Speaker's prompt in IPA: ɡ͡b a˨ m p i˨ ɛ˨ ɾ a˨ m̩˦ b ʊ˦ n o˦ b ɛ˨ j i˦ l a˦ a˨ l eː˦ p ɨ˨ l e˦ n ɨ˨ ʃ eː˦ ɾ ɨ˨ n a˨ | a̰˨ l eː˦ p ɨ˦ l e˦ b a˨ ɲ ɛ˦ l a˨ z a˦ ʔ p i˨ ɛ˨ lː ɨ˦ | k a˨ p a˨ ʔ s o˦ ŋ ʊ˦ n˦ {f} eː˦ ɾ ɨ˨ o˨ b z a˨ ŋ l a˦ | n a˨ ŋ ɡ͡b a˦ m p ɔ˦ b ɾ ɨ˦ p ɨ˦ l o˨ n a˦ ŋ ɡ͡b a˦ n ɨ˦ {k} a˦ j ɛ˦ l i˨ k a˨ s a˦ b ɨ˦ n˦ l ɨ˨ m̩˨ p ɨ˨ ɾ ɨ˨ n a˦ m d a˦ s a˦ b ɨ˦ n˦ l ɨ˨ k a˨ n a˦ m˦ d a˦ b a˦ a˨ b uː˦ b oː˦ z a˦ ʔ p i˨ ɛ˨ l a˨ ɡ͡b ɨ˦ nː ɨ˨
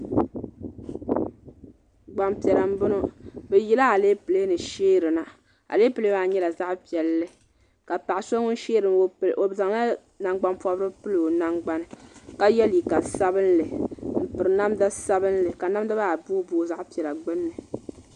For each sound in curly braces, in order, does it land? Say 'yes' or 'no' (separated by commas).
no, yes